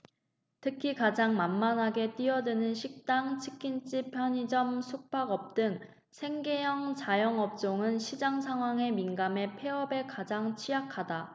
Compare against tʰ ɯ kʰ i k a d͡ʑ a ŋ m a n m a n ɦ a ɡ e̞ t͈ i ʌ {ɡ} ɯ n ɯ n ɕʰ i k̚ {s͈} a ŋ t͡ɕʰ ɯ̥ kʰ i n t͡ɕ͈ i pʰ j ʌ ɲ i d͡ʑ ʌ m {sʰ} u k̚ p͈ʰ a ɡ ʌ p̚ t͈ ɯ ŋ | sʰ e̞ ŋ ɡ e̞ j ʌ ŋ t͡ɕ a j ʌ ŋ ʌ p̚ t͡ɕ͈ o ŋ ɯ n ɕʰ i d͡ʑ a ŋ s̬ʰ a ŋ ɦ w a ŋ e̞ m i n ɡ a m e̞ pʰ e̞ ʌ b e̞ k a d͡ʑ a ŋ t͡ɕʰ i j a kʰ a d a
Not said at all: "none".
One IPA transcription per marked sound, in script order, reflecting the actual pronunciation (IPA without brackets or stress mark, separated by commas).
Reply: d, t͈, sʰ